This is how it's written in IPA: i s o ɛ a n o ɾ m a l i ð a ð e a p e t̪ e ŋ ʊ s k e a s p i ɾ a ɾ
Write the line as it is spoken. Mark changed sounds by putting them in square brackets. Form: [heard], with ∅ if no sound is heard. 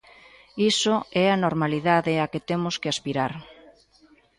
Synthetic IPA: i s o ɛ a n o ɾ m a l i ð a ð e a [k] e t̪ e [m] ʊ s k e a s p i ɾ a ɾ